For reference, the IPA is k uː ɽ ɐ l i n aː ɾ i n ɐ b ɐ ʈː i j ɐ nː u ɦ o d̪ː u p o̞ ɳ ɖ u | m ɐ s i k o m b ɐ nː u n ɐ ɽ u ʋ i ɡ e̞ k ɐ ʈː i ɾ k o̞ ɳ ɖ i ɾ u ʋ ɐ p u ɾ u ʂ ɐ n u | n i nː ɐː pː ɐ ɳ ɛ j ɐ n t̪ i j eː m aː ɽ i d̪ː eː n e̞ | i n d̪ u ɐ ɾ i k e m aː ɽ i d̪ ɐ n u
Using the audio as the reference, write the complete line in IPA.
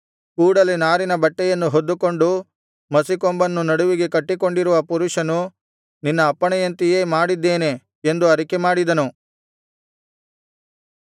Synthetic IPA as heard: k uː ɽ ɐ l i n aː ɾ i n ɐ b ɐ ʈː ɛ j ɐ nː u ɦ o d̪ː u k o̞ ɳ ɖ u | m ɐ s i k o m b ɐ nː u n ɐ ɽ u ʋ i ɡ e̞ k ɐ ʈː i k o̞ ɳ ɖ i ɾ u ʋ ɐ p u ɾ u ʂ ɐ n u | n i nː ɐː pː ɐ ɳ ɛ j ɐ n t̪ i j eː m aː ɽ i d̪ː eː n e̞ | e n d̪ u ɐ ɾ i k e m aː ɽ i d̪ ɐ n u

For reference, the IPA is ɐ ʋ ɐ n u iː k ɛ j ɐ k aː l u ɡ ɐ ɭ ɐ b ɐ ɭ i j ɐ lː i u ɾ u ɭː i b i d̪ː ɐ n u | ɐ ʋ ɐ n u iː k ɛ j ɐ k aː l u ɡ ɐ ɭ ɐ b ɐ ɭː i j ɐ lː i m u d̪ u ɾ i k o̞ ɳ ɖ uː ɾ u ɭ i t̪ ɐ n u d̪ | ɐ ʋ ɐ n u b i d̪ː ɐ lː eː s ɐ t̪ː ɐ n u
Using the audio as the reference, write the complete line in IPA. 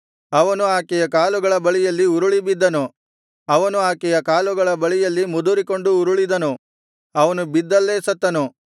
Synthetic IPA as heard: ɐ ʋ ɐ n u aː k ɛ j ɐ k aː l u ɡ ɐ ɭ ɐ b ɐ ɭ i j ɐ lː i u ɾ u ɭ i b i d̪ː ɐ n u | ɐ ʋ ɐ n u aː k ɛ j ɐ k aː l u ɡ ɐ ɭ ɐ b ɐ ɭ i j ɐ lː i m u d̪ u ɾ i k o̞ ɳ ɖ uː ɾ u ɭ i d̪ ɐ n u | ɐ ʋ ɐ n u b i d̪ː ɐ lː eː s ɐ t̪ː ɐ n u

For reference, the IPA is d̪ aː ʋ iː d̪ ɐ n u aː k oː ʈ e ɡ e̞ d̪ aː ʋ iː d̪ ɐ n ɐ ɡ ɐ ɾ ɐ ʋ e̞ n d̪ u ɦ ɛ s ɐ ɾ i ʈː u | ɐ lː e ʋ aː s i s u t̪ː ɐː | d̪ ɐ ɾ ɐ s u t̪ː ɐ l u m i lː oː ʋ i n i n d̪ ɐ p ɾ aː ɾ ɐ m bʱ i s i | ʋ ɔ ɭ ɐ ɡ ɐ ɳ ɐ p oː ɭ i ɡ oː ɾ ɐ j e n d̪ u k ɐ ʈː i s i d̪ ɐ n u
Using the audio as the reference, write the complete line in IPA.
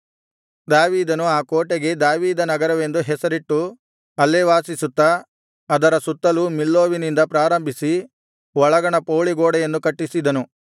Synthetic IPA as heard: d̪ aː ʋ iː d̪ ɐ n u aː k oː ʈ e ɡ e̞ d̪ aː ʋ iː d̪ ɐ n ɐ ɡ ɐ ɾ ɐ ʋ e̞ n d̪ u ɦ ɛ s ɐ ɾ i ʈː u | ɐ lː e ʋ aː s i s u t̪ː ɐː | d̪ ɐ ɾ ɐ s u t̪ː ɐ l u m i lː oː ʋ i n i n d̪ ɐ p ɾ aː ɾ ɐ m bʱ i s i | ʋ ɔ ɭ ɐ ɡ ɐ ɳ ɐ p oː ɭ i ɡ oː ɽ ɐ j e n d̪ u k ɐ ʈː i s i d̪ ɐ n u

